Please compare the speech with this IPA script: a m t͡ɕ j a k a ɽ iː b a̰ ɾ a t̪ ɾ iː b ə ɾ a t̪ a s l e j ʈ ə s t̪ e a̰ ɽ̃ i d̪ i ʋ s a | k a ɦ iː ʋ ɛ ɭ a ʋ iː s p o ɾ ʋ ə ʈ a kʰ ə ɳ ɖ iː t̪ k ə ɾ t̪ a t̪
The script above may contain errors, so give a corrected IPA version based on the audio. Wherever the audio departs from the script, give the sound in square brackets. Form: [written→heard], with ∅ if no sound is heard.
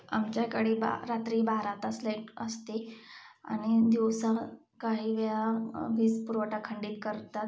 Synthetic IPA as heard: a m t͡ɕ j a k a ɽ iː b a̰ ɾ a t̪ ɾ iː b [ə→a] ɾ a t̪ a s l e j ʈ ə s t̪ e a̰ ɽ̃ i d̪ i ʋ s a | k a ɦ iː ʋ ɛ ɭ a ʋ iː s p [o→u] ɾ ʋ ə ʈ a kʰ ə ɳ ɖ iː t̪ k ə ɾ t̪ a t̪